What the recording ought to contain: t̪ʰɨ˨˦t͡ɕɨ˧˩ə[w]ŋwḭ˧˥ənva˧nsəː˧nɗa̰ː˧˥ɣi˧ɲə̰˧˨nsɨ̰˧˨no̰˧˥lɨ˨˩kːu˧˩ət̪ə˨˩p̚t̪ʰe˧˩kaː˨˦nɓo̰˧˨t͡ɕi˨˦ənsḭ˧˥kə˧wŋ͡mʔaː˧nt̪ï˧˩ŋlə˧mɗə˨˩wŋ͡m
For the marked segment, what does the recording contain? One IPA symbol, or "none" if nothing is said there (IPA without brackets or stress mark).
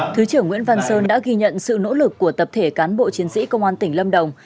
none